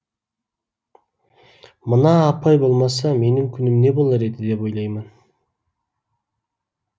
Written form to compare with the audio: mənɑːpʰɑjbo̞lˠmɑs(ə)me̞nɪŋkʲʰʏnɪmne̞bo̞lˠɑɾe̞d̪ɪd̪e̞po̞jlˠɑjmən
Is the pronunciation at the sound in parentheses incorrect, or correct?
incorrect